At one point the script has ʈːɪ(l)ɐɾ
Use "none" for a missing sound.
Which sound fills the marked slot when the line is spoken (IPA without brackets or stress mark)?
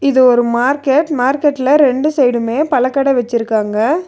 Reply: l